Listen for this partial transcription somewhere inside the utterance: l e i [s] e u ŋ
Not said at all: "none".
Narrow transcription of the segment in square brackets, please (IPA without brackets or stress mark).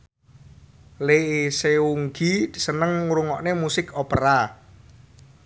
s